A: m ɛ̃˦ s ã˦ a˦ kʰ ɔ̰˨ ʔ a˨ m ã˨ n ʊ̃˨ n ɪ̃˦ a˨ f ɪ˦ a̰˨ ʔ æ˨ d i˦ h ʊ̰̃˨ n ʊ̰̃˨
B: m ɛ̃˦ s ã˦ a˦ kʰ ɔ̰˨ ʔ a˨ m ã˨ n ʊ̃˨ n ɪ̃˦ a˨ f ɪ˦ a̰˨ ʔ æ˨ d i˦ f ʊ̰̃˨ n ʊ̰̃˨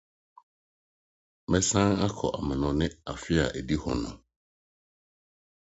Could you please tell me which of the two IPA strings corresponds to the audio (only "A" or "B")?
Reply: A